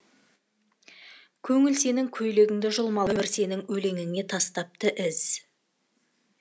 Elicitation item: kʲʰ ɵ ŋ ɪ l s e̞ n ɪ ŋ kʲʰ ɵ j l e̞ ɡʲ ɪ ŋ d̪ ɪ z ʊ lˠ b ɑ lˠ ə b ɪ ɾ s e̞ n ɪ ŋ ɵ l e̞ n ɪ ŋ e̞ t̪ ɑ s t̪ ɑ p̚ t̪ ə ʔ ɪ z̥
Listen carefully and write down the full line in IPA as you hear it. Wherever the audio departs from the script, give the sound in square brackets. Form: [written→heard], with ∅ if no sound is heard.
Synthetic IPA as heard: kʲʰ ɵ ŋ ɪ l s e̞ n ɪ ŋ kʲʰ ɵ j l e̞ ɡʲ ɪ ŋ d̪ ɪ [z→ʒ] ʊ lˠ [b→m] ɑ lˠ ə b ɪ ɾ s e̞ n ɪ ŋ ɵ l e̞ [n→ŋ] ɪ ŋ e̞ [t̪→t̪ʰ] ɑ s t̪ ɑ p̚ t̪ ə ʔ ɪ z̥